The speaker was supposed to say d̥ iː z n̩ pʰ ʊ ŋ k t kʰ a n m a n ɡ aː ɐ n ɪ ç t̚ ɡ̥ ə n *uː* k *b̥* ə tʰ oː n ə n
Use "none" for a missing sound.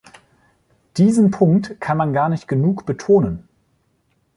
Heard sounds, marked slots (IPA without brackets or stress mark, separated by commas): uː, b̥